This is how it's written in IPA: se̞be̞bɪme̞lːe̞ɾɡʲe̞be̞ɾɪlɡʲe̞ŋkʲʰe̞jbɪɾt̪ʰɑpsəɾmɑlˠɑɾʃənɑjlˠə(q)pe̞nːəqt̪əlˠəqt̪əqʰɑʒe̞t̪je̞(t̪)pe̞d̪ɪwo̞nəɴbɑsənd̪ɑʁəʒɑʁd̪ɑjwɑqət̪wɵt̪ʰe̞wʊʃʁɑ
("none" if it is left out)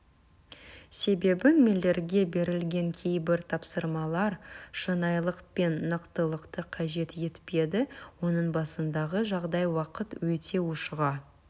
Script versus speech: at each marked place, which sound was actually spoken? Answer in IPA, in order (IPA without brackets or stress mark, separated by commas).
q, t̪